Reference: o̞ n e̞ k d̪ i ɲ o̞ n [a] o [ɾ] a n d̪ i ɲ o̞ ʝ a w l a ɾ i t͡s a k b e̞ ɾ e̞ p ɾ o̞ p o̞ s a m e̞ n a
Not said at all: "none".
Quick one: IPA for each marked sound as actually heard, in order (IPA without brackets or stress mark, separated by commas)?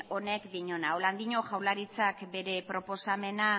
a, l